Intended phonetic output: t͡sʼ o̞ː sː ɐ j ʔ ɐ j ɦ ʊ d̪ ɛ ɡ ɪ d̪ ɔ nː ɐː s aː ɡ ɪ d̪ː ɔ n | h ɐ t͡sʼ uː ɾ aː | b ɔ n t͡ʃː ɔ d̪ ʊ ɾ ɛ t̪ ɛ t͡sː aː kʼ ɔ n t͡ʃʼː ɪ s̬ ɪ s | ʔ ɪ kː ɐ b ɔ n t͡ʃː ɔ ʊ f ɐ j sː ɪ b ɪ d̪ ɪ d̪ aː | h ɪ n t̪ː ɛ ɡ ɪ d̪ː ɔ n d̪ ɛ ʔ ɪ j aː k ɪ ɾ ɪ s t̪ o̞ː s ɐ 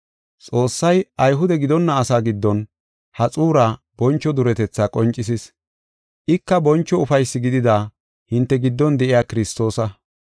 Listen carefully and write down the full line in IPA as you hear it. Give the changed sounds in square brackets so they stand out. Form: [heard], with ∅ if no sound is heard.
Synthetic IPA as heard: t͡sʼ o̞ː sː ɐ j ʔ ɐ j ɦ ʊ d̪ ɛ ɡ ɪ d̪ ɔ nː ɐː s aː ɡ ɪ d̪ː ɔ n | h ɐ t͡sʼ uː ɾ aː | b ɔ n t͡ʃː ɔ d̪ ʊ ɾ ɛ t̪ ɛ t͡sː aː kʼ ɔ n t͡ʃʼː ɪ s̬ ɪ s | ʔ ɪ kː ɐ b ɔ n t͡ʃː ɔ ʊ f ɐ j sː ɪ [ɡ] ɪ d̪ ɪ d̪ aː | h ɪ n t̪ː ɛ ɡ ɪ d̪ː ɔ n d̪ ɛ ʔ ɪ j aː k ɪ ɾ ɪ s t̪ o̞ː s ɐ